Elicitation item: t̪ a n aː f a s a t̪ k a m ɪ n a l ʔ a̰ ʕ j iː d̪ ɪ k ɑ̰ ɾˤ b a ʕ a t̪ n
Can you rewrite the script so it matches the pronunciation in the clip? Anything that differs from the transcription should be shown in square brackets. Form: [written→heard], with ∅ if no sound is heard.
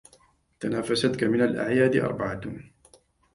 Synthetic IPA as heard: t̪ a n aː f a s a t̪ k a m ɪ n a l ʔ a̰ ʕ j [iː→aː] d̪ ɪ [k→ʔ] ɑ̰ ɾˤ b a ʕ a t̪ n